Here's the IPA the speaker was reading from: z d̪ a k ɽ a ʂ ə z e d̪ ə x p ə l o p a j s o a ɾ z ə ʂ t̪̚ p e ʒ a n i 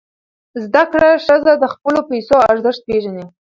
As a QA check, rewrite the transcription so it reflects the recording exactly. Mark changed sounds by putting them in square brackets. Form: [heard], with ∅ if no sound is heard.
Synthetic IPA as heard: z d̪ a k ɽ a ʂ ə z [a] d̪ ə x p ə l o p a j s o a ɾ z ə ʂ t̪̚ p e ʒ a n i